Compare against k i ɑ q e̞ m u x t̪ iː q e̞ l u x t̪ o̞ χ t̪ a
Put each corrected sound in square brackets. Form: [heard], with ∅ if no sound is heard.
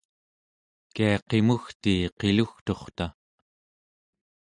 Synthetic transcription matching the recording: k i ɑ q e̞ m u x t̪ iː q e̞ l u x t̪ o̞ χ t̪ a